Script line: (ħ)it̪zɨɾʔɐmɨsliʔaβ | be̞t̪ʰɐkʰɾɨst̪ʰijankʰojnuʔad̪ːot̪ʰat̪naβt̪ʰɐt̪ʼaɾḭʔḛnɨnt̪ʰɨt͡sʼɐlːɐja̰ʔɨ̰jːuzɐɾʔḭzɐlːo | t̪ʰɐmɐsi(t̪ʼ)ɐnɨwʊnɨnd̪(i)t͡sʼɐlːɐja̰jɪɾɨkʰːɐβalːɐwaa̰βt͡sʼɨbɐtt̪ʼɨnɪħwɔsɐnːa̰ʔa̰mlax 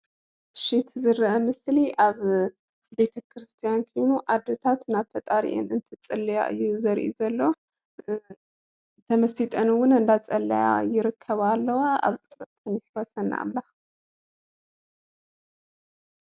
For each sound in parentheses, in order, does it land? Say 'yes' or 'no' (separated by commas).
no, yes, no